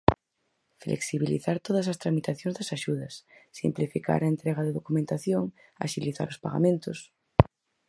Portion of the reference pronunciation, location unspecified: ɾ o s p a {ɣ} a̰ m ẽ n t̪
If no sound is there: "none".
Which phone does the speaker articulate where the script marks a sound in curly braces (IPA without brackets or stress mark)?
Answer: ɣ